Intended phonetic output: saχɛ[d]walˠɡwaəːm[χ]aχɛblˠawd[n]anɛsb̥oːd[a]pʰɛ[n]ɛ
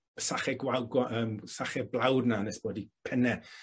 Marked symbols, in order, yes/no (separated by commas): no, no, yes, no, yes